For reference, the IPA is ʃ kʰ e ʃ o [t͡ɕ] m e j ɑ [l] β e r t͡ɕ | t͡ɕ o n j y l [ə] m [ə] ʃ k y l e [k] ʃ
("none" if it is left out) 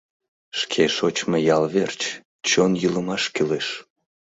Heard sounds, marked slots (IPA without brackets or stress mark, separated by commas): t͡ɕ, l, ə, ɑ, none